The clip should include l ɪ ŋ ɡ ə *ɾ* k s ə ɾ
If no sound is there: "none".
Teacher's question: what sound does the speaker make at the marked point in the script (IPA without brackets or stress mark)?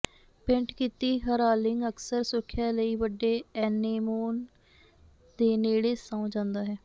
none